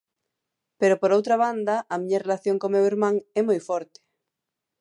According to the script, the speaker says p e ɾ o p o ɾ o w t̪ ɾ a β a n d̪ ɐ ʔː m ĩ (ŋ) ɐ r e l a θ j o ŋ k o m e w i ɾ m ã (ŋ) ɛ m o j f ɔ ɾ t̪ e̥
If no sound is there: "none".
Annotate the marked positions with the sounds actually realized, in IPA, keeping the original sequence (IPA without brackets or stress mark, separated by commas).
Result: ɲ, ŋ